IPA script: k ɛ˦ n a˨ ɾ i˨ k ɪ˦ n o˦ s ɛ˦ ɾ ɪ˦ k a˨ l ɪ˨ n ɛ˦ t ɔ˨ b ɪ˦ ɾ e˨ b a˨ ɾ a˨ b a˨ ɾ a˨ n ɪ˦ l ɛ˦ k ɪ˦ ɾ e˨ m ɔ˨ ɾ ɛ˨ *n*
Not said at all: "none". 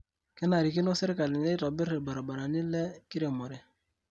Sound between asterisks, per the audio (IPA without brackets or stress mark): none